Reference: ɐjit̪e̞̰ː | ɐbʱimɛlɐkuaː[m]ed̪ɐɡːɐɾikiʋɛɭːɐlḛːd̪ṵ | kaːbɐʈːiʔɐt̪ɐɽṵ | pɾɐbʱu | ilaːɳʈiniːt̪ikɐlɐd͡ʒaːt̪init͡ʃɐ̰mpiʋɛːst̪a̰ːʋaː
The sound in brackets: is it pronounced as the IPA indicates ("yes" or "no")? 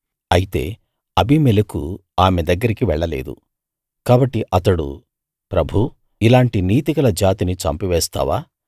yes